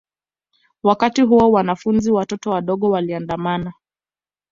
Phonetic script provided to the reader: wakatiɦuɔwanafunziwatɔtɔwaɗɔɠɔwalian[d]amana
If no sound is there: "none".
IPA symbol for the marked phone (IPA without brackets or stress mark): d